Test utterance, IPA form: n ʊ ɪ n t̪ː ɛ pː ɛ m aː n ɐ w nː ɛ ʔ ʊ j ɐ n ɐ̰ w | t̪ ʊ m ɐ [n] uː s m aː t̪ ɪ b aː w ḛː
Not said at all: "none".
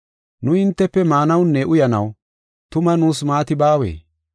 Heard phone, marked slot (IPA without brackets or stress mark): n